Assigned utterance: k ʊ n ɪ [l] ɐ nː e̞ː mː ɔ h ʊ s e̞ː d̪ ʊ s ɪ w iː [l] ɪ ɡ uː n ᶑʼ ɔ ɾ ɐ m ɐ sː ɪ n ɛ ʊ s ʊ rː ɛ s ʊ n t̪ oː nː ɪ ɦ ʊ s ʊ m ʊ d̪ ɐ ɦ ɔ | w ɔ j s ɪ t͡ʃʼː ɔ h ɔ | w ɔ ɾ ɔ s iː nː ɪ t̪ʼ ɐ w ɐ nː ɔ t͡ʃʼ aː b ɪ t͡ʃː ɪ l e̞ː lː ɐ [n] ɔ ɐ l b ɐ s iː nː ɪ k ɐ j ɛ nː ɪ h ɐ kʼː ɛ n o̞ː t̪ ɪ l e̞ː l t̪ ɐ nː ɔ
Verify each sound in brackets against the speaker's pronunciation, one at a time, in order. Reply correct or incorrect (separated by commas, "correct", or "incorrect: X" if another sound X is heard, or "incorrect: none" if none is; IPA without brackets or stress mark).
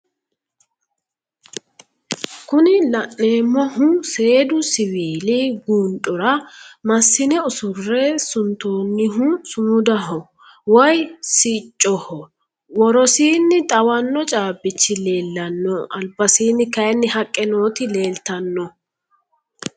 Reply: correct, correct, incorrect: nː